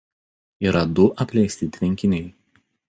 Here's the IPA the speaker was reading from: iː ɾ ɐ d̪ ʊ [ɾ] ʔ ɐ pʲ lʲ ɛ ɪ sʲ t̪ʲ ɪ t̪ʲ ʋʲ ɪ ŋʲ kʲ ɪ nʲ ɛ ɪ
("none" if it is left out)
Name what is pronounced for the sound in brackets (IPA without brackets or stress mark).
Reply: none